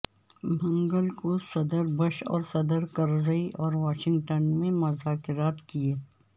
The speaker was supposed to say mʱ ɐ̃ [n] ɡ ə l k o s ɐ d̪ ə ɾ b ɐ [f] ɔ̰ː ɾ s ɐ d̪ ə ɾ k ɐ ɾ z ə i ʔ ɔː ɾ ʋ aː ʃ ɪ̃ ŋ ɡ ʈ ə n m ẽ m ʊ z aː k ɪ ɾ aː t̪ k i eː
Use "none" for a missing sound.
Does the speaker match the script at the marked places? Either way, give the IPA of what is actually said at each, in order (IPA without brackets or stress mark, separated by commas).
ŋ, ʃ